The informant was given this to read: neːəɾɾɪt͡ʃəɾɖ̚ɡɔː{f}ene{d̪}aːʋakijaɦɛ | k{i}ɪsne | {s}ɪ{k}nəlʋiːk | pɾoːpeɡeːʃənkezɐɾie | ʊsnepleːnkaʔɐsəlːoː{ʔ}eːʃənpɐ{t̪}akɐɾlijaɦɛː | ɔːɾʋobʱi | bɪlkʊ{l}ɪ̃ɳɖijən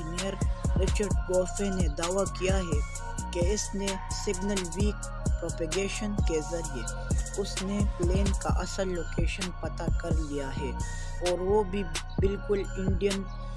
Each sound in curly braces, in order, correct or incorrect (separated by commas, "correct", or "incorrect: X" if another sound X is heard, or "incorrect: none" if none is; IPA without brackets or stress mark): correct, correct, incorrect: e, correct, incorrect: ɡ, incorrect: k, correct, correct